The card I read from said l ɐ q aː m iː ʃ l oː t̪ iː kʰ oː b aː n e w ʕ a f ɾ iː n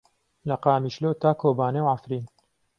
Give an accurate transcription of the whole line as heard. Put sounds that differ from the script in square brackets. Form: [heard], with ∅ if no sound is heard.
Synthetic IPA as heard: l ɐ q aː m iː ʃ l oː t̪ [aː] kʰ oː b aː n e w ʕ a f ɾ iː n